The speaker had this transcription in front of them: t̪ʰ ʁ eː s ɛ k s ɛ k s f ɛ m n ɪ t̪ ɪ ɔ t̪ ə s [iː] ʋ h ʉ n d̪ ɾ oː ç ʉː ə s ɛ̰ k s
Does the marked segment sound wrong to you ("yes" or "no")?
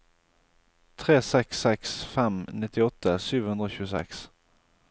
yes